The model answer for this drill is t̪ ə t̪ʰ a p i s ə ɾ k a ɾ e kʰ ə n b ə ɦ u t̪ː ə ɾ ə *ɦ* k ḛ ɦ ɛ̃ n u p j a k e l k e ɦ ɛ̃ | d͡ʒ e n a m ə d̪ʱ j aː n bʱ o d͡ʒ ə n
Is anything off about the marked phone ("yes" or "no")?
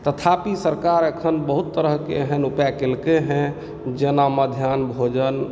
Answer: no